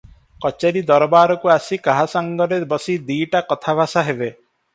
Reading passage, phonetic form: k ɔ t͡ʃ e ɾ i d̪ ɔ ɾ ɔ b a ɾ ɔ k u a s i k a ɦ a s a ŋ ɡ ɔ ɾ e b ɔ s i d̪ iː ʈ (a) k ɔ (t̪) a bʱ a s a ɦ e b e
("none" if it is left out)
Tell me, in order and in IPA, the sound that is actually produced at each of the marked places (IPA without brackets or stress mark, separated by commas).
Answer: a, t̪ʰ